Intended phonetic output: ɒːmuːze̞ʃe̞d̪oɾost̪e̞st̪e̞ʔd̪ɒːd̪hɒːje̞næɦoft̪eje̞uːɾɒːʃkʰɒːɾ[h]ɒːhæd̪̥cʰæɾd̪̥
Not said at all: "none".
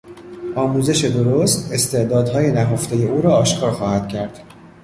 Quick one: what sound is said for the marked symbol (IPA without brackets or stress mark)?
x